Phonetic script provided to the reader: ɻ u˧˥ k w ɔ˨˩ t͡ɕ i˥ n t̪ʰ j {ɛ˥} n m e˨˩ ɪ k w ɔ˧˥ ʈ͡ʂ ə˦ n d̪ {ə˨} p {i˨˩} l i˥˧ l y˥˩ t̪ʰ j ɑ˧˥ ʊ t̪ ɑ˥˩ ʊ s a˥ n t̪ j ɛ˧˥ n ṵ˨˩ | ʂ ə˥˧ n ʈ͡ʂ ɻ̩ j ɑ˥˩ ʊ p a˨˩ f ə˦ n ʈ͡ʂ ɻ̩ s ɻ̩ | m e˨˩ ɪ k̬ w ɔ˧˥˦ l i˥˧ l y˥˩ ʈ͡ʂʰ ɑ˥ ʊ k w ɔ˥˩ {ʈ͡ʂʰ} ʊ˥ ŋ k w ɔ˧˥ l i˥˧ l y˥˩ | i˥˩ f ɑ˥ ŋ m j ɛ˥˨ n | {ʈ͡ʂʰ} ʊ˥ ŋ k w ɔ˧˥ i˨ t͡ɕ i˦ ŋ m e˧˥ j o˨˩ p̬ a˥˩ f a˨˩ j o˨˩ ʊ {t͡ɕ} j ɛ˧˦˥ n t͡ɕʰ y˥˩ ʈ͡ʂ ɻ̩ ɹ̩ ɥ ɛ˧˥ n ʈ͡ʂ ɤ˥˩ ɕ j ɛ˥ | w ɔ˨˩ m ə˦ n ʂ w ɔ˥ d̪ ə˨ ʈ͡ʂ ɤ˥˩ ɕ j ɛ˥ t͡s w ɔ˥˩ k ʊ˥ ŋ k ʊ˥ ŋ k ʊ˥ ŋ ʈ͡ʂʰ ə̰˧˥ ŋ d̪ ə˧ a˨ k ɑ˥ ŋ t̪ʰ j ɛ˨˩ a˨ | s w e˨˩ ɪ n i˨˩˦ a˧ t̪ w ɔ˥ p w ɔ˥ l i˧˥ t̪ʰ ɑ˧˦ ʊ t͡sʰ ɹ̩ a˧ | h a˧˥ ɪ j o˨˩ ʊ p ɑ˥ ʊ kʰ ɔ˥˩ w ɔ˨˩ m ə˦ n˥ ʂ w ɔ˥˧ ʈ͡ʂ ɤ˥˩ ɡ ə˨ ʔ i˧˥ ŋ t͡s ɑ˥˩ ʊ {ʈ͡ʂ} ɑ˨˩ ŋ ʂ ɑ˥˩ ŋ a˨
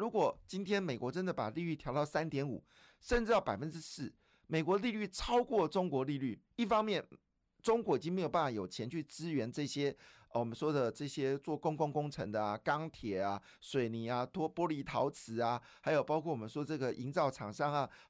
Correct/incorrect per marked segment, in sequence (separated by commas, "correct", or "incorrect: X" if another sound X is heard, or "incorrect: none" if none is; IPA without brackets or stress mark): correct, correct, incorrect: a˨˩, incorrect: ʈ͡ʂ, incorrect: ʈ͡ʂ, incorrect: t͡ɕʰ, incorrect: ʈ͡ʂʰ